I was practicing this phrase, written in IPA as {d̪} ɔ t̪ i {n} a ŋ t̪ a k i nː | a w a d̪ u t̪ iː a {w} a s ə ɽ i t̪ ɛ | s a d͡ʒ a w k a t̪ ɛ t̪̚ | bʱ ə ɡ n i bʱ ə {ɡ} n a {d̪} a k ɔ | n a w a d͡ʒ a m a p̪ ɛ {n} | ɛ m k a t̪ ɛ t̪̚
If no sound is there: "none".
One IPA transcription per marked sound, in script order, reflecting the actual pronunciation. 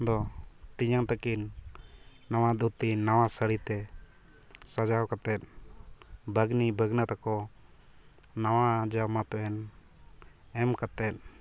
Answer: d̪, ɲ, w, ɡ, t̪, n

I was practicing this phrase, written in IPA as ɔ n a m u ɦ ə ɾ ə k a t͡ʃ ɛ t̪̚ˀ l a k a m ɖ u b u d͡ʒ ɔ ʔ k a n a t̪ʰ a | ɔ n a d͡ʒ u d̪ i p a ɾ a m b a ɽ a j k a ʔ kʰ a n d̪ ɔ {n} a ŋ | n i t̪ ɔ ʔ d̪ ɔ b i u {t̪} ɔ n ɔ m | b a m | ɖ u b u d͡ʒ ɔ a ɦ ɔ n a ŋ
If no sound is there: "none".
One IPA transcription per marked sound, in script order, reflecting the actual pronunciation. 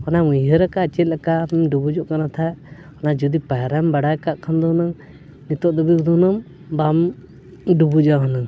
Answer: n, d̪

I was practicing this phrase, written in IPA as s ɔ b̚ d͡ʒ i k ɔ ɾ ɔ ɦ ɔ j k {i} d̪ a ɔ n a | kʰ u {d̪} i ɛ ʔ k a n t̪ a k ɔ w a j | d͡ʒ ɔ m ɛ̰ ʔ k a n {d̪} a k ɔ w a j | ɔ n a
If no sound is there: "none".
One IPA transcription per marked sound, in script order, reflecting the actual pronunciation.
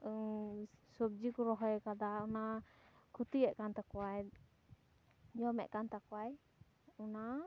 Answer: a, t̪, t̪

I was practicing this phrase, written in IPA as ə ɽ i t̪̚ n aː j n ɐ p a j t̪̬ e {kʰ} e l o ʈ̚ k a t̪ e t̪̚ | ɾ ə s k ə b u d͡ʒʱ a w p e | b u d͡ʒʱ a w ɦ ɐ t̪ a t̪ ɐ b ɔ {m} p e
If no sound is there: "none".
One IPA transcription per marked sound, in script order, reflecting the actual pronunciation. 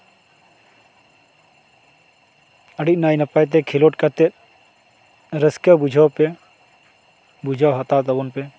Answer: kʰ, n

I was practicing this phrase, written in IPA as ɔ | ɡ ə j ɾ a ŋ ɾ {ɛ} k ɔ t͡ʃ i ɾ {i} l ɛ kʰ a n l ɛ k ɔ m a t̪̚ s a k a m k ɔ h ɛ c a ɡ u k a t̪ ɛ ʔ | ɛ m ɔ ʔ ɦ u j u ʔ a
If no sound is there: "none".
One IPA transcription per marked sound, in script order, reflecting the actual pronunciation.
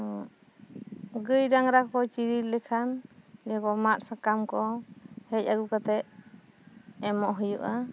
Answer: a, i

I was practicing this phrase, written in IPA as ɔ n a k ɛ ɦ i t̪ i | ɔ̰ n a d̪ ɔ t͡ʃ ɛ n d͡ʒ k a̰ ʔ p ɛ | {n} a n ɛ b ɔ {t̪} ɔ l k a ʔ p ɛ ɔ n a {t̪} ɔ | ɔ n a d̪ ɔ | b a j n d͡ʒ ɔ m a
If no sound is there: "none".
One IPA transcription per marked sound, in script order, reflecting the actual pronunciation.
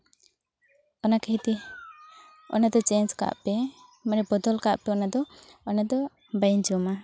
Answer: m, d̪, d̪

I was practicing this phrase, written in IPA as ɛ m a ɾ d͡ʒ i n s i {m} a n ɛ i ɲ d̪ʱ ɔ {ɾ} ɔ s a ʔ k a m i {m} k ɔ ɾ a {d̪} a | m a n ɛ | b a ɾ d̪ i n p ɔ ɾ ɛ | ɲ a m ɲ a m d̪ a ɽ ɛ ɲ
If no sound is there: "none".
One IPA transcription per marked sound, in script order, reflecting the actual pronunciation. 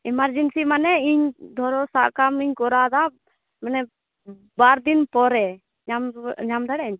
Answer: m, ɾ, ɲ, d̪

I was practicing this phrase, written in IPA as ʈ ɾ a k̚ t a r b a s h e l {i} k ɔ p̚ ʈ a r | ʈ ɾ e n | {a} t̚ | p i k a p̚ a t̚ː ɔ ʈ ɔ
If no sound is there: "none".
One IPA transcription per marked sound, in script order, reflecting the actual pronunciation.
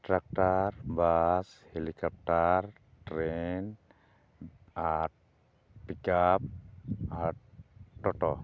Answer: i, a

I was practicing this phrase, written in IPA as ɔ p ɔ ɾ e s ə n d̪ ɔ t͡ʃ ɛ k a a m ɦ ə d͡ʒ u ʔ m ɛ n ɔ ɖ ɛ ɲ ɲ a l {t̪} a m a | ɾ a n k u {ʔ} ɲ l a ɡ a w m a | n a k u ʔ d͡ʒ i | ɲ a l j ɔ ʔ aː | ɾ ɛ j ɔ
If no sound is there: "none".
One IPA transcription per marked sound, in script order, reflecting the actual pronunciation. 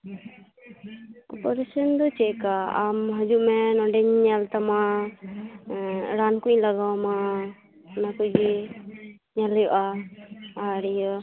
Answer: t̪, none

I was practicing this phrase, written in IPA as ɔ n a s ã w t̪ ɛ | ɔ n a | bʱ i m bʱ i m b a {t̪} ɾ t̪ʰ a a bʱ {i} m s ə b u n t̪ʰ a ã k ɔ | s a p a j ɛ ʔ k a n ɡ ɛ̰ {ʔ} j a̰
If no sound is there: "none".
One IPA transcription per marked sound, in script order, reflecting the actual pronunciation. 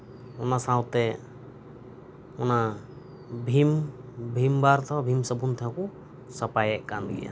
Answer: none, i, none

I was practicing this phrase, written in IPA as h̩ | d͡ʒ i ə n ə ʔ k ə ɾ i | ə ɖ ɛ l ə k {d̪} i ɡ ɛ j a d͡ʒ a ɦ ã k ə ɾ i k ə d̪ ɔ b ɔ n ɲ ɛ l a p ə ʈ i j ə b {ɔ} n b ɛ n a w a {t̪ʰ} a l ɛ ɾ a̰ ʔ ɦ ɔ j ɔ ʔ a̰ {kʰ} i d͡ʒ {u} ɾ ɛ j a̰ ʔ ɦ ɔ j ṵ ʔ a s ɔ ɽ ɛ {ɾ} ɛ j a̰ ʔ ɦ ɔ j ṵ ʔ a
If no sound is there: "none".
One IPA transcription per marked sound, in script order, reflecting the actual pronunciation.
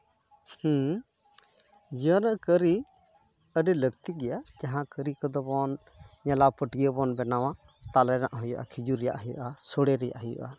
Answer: t̪, ɔ, t̪, kʰ, u, ɾ

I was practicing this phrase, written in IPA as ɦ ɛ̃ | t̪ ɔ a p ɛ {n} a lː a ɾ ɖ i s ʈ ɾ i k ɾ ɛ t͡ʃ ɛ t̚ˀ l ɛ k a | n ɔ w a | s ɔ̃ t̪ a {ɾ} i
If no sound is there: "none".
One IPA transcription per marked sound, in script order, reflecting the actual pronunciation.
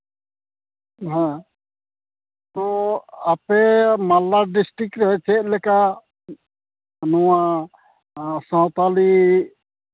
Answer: m, l

